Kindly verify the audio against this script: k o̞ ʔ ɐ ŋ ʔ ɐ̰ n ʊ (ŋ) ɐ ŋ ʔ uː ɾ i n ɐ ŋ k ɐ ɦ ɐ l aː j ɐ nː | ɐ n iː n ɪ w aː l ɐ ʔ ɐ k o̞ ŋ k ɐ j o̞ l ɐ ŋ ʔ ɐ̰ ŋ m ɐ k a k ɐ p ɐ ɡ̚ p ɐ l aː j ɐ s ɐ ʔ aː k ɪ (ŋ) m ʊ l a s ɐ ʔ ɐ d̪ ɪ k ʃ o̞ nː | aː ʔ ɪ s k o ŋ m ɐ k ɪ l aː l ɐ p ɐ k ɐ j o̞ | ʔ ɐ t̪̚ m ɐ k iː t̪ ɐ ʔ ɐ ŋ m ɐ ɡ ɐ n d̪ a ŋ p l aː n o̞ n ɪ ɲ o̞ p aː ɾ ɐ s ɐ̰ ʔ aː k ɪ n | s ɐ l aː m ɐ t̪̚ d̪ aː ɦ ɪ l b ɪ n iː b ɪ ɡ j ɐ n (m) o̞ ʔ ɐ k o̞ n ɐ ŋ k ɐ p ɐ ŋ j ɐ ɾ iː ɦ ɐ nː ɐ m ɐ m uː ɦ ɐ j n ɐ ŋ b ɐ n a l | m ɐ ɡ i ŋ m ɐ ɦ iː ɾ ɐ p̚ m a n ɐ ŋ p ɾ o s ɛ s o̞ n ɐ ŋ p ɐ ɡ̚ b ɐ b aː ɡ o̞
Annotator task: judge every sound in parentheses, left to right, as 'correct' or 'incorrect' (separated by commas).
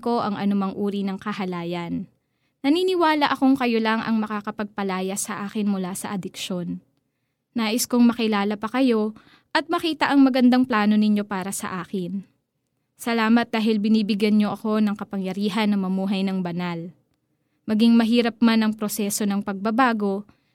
incorrect, incorrect, incorrect